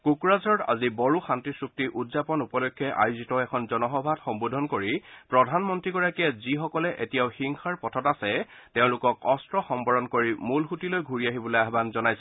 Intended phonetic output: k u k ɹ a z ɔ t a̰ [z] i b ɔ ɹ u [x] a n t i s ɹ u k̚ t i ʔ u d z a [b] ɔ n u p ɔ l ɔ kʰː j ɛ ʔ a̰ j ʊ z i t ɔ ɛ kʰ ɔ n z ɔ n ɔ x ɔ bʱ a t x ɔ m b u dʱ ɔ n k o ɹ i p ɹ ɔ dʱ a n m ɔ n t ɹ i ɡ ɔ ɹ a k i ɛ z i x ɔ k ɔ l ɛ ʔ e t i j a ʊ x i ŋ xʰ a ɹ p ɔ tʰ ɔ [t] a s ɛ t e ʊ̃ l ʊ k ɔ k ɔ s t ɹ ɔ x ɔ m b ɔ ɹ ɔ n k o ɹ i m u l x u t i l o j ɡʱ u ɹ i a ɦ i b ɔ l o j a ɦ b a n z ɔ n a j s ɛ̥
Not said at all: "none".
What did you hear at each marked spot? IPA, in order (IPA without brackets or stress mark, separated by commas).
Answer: z, x, p, t